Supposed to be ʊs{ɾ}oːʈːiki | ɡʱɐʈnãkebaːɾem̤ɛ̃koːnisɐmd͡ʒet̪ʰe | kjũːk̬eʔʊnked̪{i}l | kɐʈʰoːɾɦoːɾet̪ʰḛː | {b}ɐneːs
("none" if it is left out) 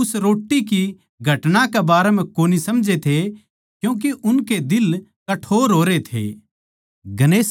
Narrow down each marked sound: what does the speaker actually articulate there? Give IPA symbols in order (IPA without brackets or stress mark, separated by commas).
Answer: ɾ, ɪ, ɡ